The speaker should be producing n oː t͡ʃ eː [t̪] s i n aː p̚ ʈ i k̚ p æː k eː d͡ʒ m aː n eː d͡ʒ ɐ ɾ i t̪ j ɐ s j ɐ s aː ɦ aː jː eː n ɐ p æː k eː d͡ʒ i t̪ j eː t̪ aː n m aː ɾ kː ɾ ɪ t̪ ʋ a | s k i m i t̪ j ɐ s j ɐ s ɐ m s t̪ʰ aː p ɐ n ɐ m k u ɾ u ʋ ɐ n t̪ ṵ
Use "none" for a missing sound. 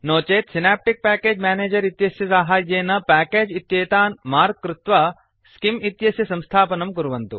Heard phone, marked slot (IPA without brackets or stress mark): t̪